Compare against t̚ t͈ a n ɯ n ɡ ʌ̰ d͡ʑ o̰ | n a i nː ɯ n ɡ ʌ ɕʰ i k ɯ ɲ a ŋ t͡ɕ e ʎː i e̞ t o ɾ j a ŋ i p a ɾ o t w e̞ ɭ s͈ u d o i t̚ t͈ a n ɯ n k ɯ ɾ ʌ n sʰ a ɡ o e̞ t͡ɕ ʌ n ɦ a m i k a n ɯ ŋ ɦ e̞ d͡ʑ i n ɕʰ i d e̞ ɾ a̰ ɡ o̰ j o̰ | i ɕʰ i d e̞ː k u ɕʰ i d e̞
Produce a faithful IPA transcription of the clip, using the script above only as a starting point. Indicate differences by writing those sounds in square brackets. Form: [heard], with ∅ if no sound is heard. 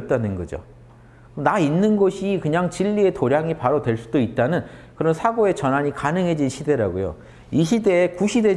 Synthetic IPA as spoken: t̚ t͈ a n ɯ n ɡ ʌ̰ d͡ʑ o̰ | n a i nː ɯ n ɡ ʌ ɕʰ i k ɯ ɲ a ŋ t͡ɕ [i] ʎː i e̞ t o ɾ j a ŋ i p a ɾ o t w e̞ ɭ s͈ u d o i t̚ t͈ a n ɯ n k ɯ ɾ ʌ n sʰ a ɡ o e̞ t͡ɕ ʌ n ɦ a [ɲ] i k a n ɯ ŋ ɦ e̞ d͡ʑ i n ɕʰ i d e̞ ɾ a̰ ɡ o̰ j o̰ | i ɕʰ i d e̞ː k u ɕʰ i d e̞

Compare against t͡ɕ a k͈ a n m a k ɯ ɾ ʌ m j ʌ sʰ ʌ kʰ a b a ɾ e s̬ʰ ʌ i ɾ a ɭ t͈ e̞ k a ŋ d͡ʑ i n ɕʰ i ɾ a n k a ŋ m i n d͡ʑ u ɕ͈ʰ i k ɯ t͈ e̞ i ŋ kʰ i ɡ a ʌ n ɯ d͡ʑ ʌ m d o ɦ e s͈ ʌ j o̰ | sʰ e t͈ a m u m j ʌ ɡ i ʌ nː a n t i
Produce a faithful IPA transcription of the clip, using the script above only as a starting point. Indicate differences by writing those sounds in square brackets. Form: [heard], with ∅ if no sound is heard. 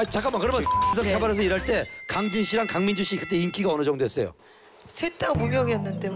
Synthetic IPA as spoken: t͡ɕ a k͈ a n m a k ɯ ɾ ʌ m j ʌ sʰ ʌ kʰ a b a ɾ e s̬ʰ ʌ i ɾ a ɭ t͈ e̞ k a ŋ d͡ʑ i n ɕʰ i ɾ a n k a ŋ m i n d͡ʑ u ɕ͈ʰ i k ɯ t͈ e̞ i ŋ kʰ i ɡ a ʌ n ɯ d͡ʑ ʌ [ŋ] d o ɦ e s͈ ʌ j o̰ | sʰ e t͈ a m u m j ʌ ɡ i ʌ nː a n t [e]

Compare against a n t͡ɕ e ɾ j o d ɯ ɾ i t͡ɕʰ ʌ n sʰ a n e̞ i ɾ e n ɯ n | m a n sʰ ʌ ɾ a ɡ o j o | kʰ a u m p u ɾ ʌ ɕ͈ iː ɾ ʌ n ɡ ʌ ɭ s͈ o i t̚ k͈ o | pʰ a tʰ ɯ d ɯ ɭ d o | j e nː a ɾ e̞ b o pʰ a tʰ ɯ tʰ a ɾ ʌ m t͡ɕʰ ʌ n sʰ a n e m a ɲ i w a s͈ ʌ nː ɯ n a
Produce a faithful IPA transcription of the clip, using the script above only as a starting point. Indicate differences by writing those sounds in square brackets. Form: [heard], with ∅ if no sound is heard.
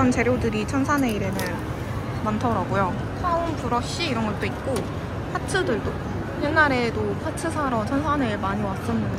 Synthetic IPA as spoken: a n t͡ɕ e ɾ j o d ɯ ɾ i t͡ɕʰ ʌ n sʰ a n e̞ i ɾ e n ɯ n | m a n [tʰ] ʌ ɾ a ɡ o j o | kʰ a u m p u ɾ ʌ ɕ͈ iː ɾ ʌ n ɡ ʌ ɭ [t͈] o i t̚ k͈ o | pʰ a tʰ ɯ d ɯ ɭ d o | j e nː a ɾ e̞ [d] o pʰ a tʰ ɯ [sʰ] a ɾ ʌ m t͡ɕʰ ʌ n sʰ a n e m a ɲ i w a s͈ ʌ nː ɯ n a

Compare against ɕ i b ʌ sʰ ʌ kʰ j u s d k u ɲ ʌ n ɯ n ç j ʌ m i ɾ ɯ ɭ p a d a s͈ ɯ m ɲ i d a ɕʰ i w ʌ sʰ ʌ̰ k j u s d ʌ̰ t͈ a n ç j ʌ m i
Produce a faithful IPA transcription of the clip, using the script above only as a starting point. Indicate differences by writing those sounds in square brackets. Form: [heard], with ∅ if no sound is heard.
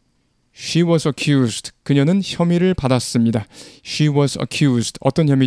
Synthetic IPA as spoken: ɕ i [w] ʌ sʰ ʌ kʰ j u s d k [ɯ] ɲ ʌ n ɯ n ç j ʌ m i ɾ ɯ ɭ p a d a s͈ ɯ m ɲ i d a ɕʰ i w ʌ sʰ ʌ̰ [kʰ] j u s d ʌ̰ t͈ [ʌ] n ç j ʌ m i

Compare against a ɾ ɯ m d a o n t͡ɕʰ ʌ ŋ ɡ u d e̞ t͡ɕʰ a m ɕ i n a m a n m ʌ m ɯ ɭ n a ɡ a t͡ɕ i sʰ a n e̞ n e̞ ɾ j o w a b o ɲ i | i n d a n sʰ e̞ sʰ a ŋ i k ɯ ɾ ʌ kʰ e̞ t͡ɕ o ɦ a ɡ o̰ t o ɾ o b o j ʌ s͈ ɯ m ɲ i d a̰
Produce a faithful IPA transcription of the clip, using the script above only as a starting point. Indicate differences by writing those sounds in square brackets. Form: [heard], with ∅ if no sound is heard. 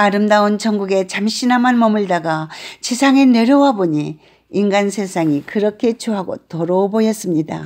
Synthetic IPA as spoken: a ɾ ɯ m d a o n [t͡ɕ] ʌ ŋ ɡ u [ɡ] e̞ [t͡ɕ] a m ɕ i n a m a n m ʌ m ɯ ɭ [d] a ɡ a t͡ɕ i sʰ a [ŋ] e̞ n e̞ ɾ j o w a b o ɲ i | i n [ɡ] a n sʰ e̞ sʰ a ŋ i k ɯ ɾ ʌ kʰ e̞ t͡ɕ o ɦ a ɡ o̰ t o ɾ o b o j ʌ s͈ ɯ m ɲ i d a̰

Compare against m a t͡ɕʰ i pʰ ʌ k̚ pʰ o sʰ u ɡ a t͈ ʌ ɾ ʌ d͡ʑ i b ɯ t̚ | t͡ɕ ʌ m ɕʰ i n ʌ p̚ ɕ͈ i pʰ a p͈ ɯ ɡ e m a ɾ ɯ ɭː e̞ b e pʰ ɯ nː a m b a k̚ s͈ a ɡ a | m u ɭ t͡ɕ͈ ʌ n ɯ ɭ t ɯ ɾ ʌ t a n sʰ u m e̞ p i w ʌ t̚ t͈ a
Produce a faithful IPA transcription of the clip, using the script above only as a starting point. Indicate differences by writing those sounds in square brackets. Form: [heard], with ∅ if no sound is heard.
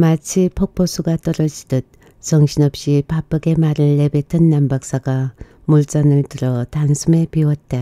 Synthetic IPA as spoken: m a t͡ɕʰ i pʰ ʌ k̚ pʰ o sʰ u ɡ a t͈ ʌ ɾ ʌ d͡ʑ i [d] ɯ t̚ | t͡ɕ ʌ [ŋ] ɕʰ i n ʌ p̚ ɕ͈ i [p] a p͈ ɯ ɡ e m a ɾ ɯ ɭː e̞ b e [tʰ] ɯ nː a m b a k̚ s͈ a ɡ a | m u ɭ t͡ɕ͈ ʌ n ɯ ɭ t ɯ ɾ ʌ t a n sʰ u m e̞ p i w ʌ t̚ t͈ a

